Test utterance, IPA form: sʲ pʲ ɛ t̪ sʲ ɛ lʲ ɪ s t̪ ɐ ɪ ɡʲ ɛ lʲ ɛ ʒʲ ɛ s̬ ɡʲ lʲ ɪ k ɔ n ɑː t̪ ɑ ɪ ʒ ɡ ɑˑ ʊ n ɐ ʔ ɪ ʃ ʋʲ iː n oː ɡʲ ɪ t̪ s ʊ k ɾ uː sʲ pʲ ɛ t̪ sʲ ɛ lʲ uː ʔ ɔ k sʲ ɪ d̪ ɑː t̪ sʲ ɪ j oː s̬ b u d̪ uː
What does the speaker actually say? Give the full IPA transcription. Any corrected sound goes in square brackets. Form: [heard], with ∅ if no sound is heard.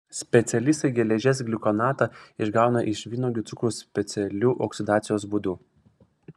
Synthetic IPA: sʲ pʲ ɛ t̪ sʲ ɛ lʲ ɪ s t̪ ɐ ɪ ɡʲ ɛ lʲ ɛ ʒʲ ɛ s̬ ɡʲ lʲ ɪ k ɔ n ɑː t̪ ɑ ɪ ʒ ɡ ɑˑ ʊ n ɐ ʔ ɪ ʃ ʋʲ iː n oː ɡʲ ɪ t̪ s ʊ k ɾ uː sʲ pʲ ɛ t̪ sʲ ɛ lʲ uː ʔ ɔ k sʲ ɪ d̪ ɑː t̪ sʲ ɪ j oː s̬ b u d̪ uː